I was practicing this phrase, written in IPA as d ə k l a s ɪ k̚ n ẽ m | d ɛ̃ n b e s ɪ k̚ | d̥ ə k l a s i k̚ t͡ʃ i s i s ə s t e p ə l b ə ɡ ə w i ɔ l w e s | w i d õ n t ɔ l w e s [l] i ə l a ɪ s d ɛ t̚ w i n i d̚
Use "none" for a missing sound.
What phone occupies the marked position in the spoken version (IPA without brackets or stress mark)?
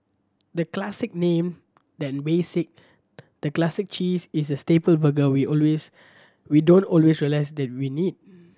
ɹ